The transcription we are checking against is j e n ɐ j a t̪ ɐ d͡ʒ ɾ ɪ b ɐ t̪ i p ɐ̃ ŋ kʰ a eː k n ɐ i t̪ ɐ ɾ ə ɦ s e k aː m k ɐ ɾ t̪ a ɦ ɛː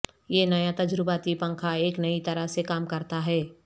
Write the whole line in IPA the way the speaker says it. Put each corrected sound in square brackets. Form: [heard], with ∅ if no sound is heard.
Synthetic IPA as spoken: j e n ɐ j a t̪ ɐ d͡ʒ ɾ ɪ b [a] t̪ i p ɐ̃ ŋ kʰ a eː k n ɐ i t̪ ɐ ɾ ə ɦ s e k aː m k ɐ ɾ t̪ a ɦ ɛː

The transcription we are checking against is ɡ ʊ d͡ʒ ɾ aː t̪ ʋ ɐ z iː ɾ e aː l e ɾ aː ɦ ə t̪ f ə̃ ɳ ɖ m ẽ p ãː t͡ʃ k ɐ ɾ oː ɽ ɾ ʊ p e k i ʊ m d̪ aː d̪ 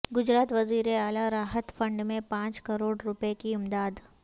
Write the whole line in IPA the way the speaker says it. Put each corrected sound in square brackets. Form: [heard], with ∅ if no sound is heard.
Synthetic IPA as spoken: ɡ ʊ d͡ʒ ɾ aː t̪ ʋ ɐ z iː ɾ e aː l [a] ɾ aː ɦ ə t̪ f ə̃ ɳ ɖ m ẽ p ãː t͡ʃ k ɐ ɾ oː ɽ ɾ ʊ p e k i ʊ m d̪ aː d̪

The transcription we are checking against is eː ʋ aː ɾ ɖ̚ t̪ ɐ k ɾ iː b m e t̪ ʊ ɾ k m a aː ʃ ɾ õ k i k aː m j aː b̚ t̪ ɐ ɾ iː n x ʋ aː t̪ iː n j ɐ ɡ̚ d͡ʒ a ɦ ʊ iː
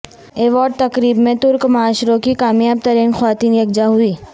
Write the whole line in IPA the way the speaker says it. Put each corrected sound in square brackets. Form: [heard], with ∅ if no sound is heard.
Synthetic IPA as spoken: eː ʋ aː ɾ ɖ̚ t̪ ɐ k ɾ iː b m [ẽ] t̪ ʊ ɾ k m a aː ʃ ɾ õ k i k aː m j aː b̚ t̪ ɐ ɾ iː n x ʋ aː t̪ iː n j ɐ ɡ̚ d͡ʒ a ɦ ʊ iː

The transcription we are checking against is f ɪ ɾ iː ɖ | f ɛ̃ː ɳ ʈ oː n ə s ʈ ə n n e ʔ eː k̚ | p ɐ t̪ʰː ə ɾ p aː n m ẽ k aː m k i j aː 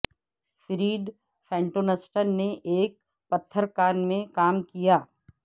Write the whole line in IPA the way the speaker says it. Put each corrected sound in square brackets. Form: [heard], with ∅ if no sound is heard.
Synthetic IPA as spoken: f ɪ ɾ iː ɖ | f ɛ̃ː ɳ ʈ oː n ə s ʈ ə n n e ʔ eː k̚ | p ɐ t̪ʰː ə ɾ [k] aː n m ẽ k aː m k i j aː

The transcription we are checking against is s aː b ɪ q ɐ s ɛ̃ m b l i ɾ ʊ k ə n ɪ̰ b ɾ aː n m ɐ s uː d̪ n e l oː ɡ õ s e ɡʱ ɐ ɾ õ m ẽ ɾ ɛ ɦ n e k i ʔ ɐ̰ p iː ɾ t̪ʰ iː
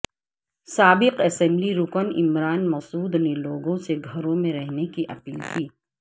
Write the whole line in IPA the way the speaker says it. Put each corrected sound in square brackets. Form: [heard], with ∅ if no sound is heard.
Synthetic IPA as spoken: s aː b ɪ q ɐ s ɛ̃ m b l i ɾ ʊ k ə n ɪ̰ [m] ɾ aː n m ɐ s uː d̪ n e l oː ɡ õ s e ɡʱ ɐ ɾ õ m ẽ ɾ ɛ ɦ n e k i ʔ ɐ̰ p iː [l] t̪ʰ iː

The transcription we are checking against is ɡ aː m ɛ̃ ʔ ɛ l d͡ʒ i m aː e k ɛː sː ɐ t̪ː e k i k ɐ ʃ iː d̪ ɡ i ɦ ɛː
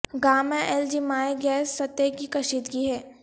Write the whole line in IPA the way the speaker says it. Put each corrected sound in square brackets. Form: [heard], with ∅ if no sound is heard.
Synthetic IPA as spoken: ɡ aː m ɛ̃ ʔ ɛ l d͡ʒ i m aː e [ɡ] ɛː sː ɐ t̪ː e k i k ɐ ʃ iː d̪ ɡ i ɦ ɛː

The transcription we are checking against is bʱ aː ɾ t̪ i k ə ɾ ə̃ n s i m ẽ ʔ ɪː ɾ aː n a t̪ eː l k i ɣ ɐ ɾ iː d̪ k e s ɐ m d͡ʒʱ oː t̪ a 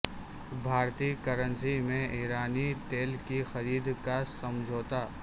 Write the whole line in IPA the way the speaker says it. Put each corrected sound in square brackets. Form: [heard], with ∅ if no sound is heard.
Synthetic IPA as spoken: bʱ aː ɾ t̪ i k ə ɾ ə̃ n s i m ẽ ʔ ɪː ɾ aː n [i] t̪ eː l k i [x] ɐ ɾ iː d̪ k [a] s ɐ m d͡ʒʱ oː t̪ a

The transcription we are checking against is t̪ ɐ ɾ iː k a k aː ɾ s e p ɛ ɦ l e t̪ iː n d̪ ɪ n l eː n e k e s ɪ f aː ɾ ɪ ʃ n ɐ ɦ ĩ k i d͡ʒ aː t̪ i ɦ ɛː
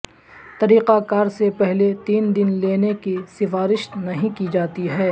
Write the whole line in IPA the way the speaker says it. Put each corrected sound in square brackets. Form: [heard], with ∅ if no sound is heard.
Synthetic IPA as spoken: t̪ ɐ ɾ iː [q] a k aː ɾ s e p ɛ ɦ l e t̪ iː n d̪ ɪ n l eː n e k [i] s ɪ f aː ɾ ɪ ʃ n ɐ ɦ ĩ k i d͡ʒ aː t̪ i ɦ ɛː

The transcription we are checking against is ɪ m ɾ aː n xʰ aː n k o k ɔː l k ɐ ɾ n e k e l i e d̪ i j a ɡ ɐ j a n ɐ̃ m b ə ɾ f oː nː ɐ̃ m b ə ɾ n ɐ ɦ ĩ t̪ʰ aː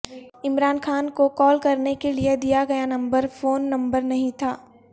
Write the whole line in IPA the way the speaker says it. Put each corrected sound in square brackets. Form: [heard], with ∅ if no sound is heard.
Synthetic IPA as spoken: ɪ m ɾ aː n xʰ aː n k o k ɔː l k ɐ ɾ n e k e l i e d̪ i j a ɡ ɐ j a n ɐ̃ m b ə ɾ f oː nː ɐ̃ m b ə ɾ n ɐ ɦ ĩ t̪ʰ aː

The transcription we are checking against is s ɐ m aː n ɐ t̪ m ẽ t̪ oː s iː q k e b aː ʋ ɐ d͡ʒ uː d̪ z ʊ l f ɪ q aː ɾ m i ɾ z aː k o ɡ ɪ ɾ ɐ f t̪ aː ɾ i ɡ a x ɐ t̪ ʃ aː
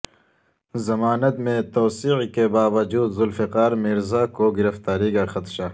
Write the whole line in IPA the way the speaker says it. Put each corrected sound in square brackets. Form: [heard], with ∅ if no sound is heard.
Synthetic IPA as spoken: [z] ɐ m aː n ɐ t̪ m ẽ t̪ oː s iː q k e b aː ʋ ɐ d͡ʒ uː d̪ z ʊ l f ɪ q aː ɾ m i ɾ z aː k o ɡ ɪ ɾ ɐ f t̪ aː ɾ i ɡ a x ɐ t̪ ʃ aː

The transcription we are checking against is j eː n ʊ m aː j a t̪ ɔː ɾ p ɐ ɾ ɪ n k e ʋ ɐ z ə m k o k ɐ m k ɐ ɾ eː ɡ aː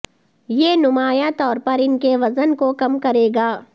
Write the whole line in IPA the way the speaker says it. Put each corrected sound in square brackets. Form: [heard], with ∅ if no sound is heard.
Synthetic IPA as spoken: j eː n ʊ m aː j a t̪ ɔː ɾ p ɐ ɾ ɪ n k e ʋ ɐ z ə [n] k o k ɐ m k ɐ ɾ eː ɡ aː

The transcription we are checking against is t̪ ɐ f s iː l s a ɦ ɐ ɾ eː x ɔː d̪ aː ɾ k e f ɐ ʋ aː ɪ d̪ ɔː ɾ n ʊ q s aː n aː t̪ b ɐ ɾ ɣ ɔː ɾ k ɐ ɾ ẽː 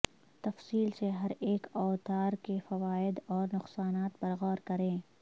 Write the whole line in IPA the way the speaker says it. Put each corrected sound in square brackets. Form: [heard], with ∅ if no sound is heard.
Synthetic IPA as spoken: t̪ ɐ f s iː l s [e] ɦ ɐ ɾ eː [k] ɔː [t̪] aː ɾ k e f ɐ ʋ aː ɪ d̪ ɔː ɾ n ʊ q s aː n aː t̪ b ɐ ɾ ɣ ɔː ɾ k ɐ ɾ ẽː

